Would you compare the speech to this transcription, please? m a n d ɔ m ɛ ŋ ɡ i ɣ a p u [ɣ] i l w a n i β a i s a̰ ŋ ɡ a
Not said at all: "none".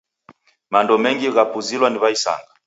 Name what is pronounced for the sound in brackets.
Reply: z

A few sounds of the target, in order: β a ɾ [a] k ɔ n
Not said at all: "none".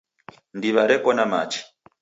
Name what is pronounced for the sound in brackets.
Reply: ɛ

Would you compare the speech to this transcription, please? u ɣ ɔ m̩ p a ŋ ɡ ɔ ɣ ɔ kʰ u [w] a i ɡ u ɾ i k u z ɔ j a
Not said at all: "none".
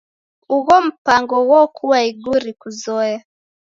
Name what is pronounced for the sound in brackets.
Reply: w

